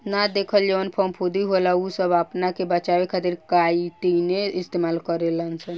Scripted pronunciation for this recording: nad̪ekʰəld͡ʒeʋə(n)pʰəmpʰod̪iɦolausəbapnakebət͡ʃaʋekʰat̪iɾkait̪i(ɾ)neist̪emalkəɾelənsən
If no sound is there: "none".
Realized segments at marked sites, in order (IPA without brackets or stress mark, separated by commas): n, none